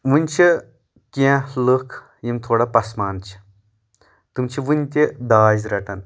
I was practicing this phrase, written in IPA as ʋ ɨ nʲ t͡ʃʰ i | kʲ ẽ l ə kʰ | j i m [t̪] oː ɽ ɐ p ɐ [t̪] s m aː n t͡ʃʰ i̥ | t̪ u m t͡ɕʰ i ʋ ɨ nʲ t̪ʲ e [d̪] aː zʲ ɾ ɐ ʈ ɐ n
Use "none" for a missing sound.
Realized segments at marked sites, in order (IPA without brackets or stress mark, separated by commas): t̪ʰ, none, d̪